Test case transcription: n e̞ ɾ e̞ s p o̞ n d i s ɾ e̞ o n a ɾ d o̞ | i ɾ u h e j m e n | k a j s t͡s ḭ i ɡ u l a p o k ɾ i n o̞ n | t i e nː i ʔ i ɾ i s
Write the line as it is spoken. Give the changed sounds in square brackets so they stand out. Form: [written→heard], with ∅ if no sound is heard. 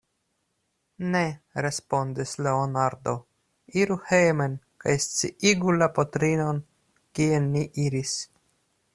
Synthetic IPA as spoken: n e̞ ɾ e̞ s p o̞ n d i s [ɾ→l] e̞ o n a ɾ d o̞ | i ɾ u h e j m e n | k a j s t͡s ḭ i ɡ u l a p o [k→t] ɾ i n o̞ n | [t→k] i e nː i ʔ i ɾ i s